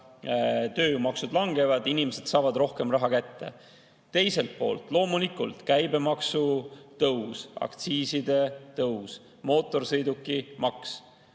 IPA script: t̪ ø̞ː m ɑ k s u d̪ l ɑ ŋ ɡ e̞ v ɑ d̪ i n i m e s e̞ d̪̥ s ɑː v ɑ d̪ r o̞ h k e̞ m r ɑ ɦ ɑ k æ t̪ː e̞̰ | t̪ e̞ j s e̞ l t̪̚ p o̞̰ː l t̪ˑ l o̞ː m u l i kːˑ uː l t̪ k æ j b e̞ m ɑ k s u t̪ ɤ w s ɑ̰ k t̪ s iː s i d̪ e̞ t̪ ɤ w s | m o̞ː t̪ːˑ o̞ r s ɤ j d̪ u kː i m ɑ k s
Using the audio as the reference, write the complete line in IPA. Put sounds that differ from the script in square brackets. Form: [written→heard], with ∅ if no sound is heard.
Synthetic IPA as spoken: t̪ ø̞ː m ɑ k s u d̪ l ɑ ŋ ɡ e̞ v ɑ d̪ i n i m e s e̞ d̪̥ s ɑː v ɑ d̪ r o̞ h k e̞ m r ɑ ɦ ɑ k æ t̪ː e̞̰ | t̪ e̞ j s e̞ l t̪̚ p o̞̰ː l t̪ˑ l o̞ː m u l i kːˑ [uː→u] l t̪ k æ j b e̞ m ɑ k s u t̪ ɤ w s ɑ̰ k t̪ s iː s i d̪ e̞ t̪ ɤ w s | m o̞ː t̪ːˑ o̞ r s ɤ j d̪ u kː i m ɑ k s